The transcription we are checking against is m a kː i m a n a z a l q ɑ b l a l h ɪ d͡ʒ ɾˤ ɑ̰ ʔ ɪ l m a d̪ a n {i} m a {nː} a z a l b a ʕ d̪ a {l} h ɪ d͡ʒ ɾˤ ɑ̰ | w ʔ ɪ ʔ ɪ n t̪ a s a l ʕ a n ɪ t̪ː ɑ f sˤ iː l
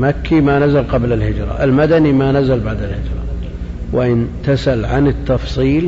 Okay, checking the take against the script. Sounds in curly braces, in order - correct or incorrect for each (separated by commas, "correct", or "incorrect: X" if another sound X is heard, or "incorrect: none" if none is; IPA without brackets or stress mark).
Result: correct, incorrect: n, correct